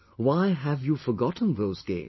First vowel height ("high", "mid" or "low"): low